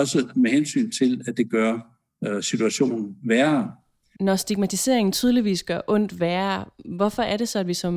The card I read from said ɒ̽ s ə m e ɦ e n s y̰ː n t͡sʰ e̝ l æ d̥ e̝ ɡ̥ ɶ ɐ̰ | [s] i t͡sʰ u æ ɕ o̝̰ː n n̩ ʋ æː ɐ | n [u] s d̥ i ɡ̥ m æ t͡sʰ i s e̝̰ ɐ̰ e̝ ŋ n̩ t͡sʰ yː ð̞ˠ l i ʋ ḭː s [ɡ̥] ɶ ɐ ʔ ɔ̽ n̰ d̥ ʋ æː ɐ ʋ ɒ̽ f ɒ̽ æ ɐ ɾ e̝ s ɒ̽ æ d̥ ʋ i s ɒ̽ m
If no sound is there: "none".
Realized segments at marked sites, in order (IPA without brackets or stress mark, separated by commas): s, ɒ, ɡ̥